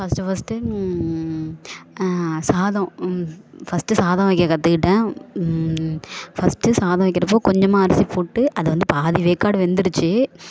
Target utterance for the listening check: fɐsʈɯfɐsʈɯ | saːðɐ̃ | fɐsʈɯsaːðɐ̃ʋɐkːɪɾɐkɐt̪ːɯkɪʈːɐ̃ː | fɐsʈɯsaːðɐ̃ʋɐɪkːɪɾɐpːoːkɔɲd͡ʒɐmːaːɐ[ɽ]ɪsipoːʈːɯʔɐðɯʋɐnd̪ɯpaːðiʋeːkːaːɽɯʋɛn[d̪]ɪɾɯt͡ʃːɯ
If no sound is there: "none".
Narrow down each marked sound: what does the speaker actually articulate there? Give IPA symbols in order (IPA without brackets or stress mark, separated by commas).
ɾ, d̪